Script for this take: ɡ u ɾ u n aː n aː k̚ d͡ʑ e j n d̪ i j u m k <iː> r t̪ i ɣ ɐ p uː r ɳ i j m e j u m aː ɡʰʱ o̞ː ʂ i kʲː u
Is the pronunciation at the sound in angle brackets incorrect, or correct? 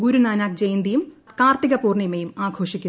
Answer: incorrect